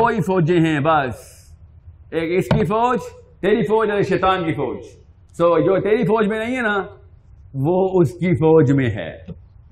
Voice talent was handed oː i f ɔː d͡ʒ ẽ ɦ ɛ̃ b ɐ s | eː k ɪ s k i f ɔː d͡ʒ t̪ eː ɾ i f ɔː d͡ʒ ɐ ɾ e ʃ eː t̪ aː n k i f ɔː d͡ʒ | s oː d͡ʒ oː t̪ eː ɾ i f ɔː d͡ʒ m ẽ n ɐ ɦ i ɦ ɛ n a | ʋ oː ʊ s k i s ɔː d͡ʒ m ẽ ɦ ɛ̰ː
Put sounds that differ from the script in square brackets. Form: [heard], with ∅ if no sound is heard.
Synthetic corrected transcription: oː i f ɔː d͡ʒ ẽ ɦ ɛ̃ b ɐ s | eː k ɪ s k i f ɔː d͡ʒ t̪ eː ɾ i f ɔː d͡ʒ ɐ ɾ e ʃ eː t̪ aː n k i f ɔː d͡ʒ | s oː d͡ʒ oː t̪ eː ɾ i f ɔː d͡ʒ m ẽ n ɐ ɦ [ĩ] ɦ ɛ n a | ʋ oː ʊ s k i [f] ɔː d͡ʒ m ẽ ɦ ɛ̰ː